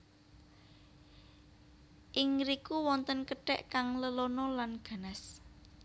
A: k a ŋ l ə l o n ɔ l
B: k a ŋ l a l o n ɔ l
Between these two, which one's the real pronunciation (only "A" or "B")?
A